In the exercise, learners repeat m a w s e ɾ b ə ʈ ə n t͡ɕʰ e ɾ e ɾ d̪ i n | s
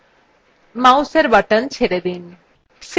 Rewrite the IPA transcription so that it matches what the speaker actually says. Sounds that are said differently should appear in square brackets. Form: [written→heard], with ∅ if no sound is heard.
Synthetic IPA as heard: m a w s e ɾ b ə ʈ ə n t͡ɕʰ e ɾ e [ɾ→∅] d̪ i n | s